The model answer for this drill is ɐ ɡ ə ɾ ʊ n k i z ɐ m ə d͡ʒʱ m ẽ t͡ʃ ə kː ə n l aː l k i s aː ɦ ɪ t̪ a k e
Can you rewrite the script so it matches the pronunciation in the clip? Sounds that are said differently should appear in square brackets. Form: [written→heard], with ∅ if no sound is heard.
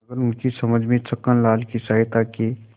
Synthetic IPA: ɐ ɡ ə ɾ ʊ n k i [z→s] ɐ m ə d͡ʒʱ m ẽ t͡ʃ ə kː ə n l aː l k i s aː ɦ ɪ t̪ a k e